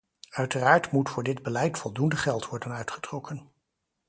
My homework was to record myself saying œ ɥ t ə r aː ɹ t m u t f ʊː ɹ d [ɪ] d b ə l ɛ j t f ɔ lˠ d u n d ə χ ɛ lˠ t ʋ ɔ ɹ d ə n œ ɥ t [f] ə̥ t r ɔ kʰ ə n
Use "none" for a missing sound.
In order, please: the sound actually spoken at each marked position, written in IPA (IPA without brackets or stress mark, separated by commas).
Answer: ɪ, χ